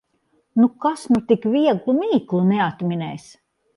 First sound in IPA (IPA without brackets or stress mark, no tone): n